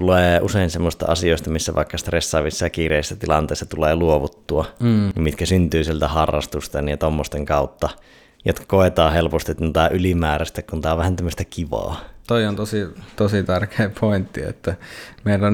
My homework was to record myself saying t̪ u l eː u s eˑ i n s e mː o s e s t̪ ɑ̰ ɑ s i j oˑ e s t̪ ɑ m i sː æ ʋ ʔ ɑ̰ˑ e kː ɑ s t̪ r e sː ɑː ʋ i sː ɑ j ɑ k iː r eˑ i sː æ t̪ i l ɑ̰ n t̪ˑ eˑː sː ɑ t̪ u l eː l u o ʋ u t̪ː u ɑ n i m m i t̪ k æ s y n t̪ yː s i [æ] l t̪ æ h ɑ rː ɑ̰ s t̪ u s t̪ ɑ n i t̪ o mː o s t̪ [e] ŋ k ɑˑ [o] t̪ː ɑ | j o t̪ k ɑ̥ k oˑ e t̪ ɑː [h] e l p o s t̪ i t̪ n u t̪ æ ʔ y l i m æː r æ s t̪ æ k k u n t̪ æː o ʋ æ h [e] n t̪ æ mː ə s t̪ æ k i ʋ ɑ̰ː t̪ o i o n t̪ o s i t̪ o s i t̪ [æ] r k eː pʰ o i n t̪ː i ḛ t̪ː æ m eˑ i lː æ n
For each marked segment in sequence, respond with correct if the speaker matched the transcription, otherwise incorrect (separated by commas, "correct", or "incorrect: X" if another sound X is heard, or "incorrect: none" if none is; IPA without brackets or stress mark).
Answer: incorrect: e, correct, incorrect: u, correct, incorrect: æ, correct